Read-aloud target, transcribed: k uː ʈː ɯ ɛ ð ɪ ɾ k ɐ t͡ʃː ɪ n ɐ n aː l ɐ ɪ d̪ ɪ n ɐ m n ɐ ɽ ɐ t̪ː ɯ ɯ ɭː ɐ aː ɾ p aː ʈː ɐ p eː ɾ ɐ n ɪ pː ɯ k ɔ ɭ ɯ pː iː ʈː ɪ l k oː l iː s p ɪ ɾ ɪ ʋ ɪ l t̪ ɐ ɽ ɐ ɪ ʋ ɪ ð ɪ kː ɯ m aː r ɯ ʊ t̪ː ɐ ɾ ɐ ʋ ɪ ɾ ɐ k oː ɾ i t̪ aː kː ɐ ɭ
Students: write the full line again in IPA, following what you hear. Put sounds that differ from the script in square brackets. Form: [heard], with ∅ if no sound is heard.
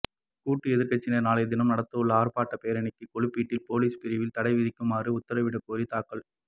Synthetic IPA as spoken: k uː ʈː ɯ ɛ ð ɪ ɾ k ɐ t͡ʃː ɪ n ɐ n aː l ɐ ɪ d̪ ɪ n ɐ m n ɐ ɽ ɐ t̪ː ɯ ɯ ɭː ɐ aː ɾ p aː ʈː ɐ p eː ɾ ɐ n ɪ [kː] ɯ k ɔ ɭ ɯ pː iː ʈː ɪ l [p] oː l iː s p ɪ ɾ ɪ ʋ ɪ l t̪ ɐ ɽ ɐ ɪ ʋ ɪ ð ɪ kː ɯ m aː r ɯ ʊ t̪ː ɐ ɾ ɐ ʋ ɪ [ɽ] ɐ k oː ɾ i t̪ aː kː ɐ ɭ